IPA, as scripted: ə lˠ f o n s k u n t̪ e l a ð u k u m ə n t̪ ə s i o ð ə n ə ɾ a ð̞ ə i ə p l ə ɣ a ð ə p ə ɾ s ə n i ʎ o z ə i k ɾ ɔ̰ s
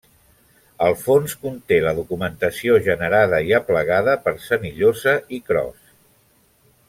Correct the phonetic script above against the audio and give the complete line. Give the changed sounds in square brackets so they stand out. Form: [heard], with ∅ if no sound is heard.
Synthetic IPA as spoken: ə lˠ f o n s k u n t̪ e l [ə] ð u k u m ə n t̪ ə s i o [ʒ] ə n ə ɾ a ð̞ ə i ə p l ə ɣ a ð ə p ə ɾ s ə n i ʎ o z ə i k ɾ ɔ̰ s